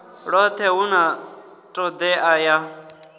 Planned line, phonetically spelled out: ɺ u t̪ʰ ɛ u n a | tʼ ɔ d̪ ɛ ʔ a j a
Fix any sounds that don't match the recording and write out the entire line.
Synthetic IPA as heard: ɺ ɔ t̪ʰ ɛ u n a | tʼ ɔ d̪ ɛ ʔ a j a